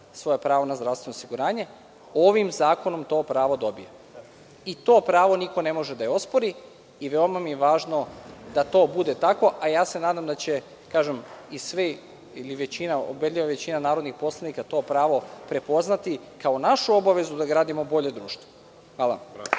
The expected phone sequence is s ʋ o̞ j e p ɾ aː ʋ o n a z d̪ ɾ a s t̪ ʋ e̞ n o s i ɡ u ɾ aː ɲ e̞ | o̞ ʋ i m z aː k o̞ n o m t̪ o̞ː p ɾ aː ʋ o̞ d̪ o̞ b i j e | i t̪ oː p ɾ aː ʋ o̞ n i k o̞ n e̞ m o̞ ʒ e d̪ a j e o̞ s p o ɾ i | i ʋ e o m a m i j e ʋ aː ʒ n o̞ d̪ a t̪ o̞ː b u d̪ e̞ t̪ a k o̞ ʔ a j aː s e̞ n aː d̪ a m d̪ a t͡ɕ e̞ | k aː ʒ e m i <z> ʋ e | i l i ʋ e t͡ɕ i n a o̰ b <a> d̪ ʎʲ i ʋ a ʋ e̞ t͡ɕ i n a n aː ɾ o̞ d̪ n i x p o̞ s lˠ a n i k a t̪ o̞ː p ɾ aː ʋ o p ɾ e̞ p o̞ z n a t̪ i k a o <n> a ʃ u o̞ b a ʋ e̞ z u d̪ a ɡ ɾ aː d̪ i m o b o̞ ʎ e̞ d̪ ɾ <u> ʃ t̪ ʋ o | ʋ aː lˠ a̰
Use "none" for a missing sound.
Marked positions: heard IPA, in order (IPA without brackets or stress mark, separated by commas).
s, e, n, uː